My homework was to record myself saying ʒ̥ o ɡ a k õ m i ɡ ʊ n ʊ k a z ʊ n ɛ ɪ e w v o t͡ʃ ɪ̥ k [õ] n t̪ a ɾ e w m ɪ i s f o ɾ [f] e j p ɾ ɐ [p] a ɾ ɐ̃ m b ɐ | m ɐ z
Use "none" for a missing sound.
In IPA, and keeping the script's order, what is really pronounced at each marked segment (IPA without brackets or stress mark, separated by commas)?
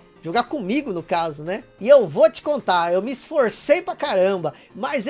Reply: õ, s, k